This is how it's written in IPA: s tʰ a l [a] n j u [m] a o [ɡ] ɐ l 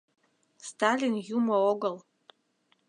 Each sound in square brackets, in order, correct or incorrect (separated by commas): incorrect, correct, correct